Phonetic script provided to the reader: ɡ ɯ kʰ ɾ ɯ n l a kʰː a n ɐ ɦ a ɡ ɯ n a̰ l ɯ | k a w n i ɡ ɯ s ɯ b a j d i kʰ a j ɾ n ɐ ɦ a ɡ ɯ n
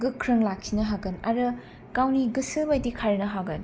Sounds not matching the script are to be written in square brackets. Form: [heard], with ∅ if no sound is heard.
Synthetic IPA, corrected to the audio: ɡ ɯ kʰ ɾ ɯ [ŋ] l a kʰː [i] n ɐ ɦ a ɡ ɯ n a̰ [ɾ] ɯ | k a w n i ɡ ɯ s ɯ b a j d i kʰ a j ɾ n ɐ ɦ a ɡ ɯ n